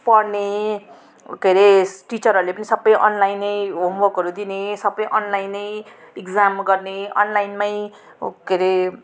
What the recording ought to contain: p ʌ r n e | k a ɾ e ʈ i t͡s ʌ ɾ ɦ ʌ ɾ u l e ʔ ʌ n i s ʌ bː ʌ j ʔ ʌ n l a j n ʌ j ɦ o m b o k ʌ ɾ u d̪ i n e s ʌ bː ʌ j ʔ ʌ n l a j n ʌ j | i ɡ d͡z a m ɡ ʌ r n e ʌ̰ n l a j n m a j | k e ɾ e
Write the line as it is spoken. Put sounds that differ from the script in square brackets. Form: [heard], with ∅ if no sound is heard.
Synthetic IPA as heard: p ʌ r n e | k [e] ɾ e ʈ i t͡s ʌ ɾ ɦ ʌ ɾ u l e [p] ʌ n i s ʌ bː ʌ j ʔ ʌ n l a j n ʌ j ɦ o m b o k ʌ ɾ u d̪ i n e s ʌ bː ʌ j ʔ ʌ n l a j n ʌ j | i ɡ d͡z a m ɡ ʌ r n e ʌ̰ n l a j n m a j | k e ɾ e

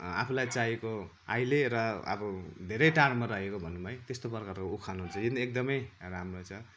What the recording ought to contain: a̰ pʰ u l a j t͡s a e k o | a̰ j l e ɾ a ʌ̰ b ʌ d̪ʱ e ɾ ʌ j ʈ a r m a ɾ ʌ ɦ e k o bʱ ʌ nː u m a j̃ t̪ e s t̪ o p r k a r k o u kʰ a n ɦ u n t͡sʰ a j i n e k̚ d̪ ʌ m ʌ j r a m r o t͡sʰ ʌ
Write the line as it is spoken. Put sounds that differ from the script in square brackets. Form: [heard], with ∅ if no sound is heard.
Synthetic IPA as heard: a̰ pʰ u l a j t͡s a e k o | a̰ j l e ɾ [ʌ] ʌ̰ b ʌ d̪ʱ e ɾ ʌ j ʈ a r m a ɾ ʌ ɦ e k o bʱ ʌ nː u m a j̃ t̪ e s t̪ o p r k a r k o u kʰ a n ɦ u n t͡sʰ [ʌ] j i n e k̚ d̪ ʌ m ʌ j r a m r o t͡sʰ ʌ

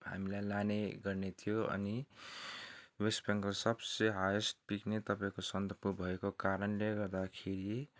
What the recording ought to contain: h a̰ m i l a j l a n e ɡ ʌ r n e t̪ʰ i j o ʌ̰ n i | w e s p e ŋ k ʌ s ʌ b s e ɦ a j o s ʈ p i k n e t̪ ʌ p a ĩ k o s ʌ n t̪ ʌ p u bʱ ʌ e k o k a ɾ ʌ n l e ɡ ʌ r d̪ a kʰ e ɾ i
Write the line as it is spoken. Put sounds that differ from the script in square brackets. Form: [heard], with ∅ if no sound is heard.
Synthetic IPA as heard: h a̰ m i l a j l a n e ɡ ʌ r n e t̪ʰ i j o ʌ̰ n i | w e s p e ŋ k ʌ s ʌ b s e ɦ a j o s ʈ p i k n e t̪ ʌ p a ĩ k o s ʌ n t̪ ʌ p u bʱ ʌ e k o k a ɾ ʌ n l e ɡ ʌ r d̪ a kʰ e ɾ i

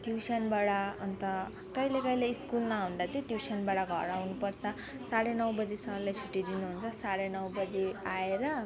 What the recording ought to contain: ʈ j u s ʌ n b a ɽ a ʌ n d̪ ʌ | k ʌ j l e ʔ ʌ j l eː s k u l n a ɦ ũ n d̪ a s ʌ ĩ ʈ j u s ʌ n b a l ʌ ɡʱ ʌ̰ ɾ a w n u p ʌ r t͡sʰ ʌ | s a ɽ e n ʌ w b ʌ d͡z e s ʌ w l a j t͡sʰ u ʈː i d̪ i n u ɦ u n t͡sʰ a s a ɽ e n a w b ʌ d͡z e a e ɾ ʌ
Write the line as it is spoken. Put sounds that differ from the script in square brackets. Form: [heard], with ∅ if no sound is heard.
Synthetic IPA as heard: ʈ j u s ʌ n b a ɽ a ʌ n [t̪] ʌ | k ʌ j l e [k] ʌ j l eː s k u l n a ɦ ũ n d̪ a [t͡s] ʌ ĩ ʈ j u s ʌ n b a [ɽ] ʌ ɡʱ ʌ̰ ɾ a w n u p ʌ r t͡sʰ ʌ | s a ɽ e n ʌ w b ʌ d͡z e s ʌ [∅] l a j t͡sʰ u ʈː i d̪ i n u ɦ u n t͡sʰ [ʌ] s a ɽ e n [ʌ] w b ʌ d͡z e a e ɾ ʌ

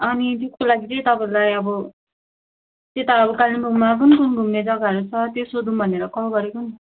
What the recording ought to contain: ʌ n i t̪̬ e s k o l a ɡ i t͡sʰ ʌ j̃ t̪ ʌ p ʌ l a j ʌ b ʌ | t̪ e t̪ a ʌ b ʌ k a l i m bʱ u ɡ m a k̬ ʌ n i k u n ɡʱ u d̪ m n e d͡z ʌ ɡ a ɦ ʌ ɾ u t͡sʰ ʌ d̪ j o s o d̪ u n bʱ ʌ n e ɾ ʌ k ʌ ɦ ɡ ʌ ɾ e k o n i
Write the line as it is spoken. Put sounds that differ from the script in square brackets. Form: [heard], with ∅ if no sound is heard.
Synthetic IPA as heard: ʌ n i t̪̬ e s k o l a ɡ i [t͡s] ʌ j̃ t̪ ʌ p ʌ l a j ʌ b ʌ | t̪ e t̪ a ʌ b ʌ k a l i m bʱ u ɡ m a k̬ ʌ n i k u n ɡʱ u [∅] m n e d͡z ʌ ɡ a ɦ ʌ ɾ u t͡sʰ ʌ [t̪] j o s o d̪ u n bʱ ʌ n e ɾ ʌ k ʌ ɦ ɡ ʌ ɾ e k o n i

